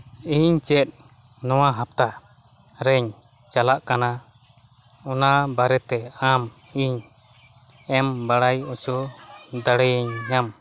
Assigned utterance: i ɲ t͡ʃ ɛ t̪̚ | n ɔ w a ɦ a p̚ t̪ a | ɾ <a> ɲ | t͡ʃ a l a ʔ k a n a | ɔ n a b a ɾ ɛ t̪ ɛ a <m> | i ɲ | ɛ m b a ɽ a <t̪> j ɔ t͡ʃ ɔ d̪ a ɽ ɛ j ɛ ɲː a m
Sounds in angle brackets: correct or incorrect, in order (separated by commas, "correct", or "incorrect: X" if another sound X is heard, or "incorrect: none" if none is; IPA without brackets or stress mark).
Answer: incorrect: ɛ, correct, incorrect: none